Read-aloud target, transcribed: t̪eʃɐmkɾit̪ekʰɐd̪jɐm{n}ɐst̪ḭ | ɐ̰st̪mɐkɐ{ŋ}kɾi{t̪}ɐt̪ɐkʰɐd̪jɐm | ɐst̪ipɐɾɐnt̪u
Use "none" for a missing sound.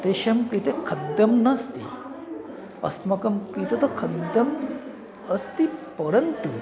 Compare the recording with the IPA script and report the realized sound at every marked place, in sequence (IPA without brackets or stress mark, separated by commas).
n, m, t̪